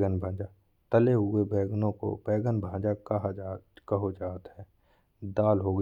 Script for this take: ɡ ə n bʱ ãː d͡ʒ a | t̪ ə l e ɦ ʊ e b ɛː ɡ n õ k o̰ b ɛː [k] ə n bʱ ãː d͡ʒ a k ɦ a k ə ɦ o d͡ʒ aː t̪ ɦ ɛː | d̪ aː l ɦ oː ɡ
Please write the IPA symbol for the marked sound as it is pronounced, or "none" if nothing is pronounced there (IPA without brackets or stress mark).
ɡ